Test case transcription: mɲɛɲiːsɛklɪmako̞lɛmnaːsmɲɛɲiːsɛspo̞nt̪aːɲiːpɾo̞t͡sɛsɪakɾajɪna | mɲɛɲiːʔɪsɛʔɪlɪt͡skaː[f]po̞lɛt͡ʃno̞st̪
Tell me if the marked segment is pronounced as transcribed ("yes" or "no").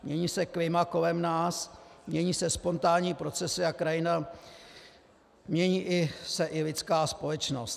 no